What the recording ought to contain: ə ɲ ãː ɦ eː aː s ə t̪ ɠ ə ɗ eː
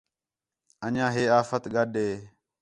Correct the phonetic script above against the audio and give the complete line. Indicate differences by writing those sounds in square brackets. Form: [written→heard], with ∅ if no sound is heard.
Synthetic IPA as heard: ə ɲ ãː ɦ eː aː [s→f] ə t̪ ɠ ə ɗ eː